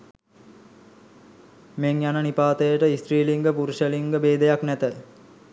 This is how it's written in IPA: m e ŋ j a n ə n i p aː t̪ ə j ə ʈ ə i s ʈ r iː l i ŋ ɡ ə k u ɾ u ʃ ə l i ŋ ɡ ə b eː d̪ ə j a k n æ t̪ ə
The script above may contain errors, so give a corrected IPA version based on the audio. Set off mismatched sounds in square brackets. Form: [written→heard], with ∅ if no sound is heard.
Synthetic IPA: m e ŋ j a n ə n i p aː t̪ ə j ə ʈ ə i s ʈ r iː l i ŋ ɡ ə [k→p] u ɾ u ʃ ə l i ŋ ɡ ə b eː d̪ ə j a k n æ t̪ ə